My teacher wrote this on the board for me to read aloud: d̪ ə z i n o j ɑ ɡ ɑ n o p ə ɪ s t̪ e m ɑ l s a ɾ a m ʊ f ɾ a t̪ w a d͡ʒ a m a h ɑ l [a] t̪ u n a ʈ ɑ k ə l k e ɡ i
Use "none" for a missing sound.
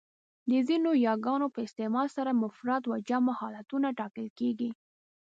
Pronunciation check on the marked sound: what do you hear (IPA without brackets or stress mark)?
a